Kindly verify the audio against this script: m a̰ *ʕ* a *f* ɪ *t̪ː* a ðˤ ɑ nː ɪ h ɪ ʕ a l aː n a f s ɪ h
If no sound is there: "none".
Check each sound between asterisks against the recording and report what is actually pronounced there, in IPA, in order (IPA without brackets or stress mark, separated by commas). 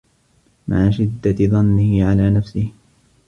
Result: ʕ, ʃ, d̪ː